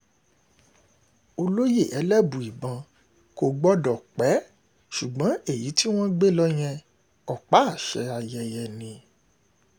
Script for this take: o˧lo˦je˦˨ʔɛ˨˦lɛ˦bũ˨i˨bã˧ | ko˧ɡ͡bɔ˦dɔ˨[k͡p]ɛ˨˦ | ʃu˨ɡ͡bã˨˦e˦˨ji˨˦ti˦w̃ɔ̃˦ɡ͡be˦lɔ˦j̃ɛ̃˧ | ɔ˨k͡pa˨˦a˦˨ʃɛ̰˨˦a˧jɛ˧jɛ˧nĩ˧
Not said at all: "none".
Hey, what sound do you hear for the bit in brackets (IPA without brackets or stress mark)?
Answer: k͡p